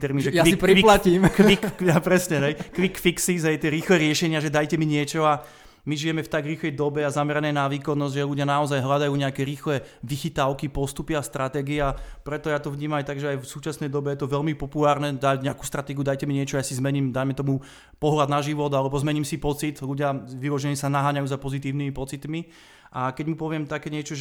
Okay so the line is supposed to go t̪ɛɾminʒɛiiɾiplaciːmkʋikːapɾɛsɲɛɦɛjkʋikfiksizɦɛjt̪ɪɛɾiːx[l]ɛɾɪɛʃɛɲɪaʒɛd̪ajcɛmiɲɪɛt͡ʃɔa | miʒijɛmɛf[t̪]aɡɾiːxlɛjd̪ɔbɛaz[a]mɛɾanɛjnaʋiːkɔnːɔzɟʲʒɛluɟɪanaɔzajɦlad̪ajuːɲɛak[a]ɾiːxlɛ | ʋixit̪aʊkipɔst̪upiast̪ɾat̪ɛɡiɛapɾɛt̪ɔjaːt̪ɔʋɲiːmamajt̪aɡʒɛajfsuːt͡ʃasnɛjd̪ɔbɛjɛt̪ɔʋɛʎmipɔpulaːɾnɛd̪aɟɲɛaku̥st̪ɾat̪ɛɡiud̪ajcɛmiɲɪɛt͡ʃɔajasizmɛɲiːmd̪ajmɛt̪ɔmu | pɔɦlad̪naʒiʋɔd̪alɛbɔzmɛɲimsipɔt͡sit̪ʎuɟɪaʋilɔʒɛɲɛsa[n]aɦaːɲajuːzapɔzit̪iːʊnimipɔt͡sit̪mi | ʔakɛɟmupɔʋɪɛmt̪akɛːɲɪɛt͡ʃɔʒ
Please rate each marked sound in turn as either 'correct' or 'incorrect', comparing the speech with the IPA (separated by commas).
correct, correct, correct, incorrect, correct